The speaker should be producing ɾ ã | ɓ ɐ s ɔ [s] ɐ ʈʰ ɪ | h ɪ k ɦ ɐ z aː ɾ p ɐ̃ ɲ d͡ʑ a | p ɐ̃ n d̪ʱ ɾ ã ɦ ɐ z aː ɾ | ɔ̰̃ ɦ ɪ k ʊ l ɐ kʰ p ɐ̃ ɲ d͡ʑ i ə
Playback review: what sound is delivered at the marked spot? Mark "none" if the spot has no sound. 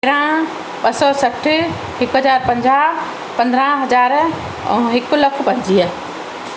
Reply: s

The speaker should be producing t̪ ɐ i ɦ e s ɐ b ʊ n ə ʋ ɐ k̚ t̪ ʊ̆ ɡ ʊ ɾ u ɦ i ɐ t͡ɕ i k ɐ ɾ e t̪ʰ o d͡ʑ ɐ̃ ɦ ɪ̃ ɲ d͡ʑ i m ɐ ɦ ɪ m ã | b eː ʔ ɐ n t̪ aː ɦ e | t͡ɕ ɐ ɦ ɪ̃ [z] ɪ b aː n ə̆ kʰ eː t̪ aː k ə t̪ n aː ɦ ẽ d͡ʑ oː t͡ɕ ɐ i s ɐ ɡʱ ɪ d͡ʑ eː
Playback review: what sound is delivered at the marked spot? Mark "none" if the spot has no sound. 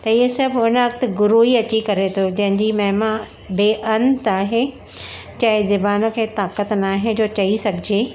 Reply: z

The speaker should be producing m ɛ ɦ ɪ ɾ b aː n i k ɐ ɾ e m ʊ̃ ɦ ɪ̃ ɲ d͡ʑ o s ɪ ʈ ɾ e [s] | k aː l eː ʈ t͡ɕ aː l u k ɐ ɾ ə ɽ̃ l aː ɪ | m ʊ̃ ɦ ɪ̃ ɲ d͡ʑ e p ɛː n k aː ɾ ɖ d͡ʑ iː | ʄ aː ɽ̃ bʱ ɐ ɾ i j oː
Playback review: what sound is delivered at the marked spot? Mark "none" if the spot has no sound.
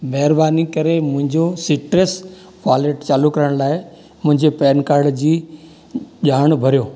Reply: s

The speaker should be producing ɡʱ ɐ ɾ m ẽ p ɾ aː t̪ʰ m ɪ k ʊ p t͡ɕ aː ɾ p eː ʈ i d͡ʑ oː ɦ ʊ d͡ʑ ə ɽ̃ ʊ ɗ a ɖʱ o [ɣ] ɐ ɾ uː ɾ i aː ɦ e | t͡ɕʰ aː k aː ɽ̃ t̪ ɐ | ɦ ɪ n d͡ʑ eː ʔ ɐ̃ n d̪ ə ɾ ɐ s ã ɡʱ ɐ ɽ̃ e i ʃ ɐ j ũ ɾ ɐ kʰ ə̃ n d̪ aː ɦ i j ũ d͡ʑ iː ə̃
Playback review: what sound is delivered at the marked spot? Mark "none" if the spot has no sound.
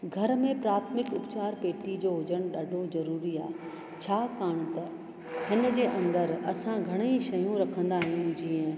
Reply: z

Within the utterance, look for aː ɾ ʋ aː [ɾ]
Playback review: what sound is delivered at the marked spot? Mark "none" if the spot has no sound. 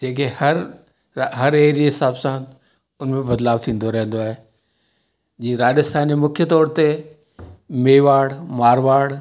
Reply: ɽ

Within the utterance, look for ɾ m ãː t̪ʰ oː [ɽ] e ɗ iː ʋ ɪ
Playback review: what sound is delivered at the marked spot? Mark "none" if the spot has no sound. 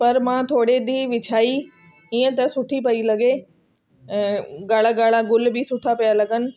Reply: ɽ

